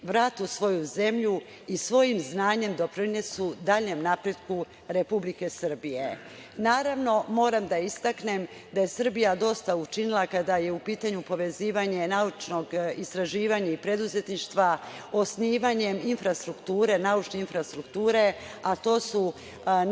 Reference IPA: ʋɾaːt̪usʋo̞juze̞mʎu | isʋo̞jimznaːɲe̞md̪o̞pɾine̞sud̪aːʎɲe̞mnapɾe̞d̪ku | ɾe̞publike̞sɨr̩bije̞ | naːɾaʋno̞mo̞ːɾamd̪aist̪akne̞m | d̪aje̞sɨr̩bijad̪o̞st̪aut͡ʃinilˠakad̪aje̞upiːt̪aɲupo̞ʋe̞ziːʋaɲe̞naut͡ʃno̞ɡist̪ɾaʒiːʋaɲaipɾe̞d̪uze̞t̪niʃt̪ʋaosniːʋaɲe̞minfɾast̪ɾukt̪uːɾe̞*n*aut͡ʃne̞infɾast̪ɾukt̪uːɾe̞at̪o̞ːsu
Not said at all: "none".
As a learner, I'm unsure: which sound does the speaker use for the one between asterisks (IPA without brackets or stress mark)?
n